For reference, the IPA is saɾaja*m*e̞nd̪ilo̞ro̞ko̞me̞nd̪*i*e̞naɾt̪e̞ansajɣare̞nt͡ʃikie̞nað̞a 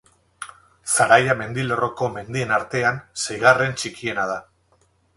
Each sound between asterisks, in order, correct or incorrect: correct, correct

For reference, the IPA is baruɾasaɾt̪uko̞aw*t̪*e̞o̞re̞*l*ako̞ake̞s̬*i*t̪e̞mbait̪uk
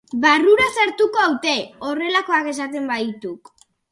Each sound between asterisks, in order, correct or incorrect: correct, correct, incorrect

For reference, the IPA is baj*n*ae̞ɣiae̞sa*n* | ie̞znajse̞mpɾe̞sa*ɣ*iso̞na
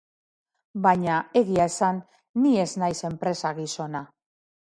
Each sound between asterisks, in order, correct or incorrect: incorrect, incorrect, correct

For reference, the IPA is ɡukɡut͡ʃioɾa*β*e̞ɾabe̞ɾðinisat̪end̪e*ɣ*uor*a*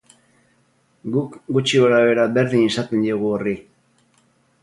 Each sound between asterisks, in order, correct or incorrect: correct, correct, incorrect

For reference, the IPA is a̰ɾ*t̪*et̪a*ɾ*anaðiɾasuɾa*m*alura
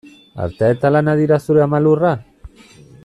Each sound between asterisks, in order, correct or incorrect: correct, incorrect, correct

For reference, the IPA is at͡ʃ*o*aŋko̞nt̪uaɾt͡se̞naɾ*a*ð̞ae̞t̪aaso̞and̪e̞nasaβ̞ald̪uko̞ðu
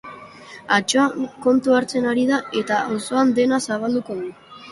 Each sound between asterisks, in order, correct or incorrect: correct, incorrect

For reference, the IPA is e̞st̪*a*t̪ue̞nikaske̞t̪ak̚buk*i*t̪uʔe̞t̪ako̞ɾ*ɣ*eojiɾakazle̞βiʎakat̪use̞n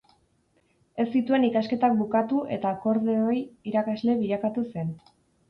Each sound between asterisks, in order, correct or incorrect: incorrect, incorrect, incorrect

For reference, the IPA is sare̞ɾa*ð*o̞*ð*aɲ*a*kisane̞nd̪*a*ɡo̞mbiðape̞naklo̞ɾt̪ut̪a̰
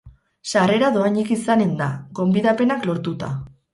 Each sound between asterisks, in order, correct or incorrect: correct, incorrect, incorrect, correct

